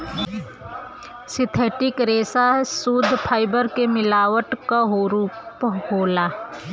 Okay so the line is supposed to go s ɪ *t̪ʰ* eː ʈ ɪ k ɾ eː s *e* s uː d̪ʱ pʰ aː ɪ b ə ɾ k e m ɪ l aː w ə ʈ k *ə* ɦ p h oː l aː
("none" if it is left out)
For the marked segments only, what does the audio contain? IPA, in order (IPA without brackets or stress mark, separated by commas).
t̪ʰ, a, a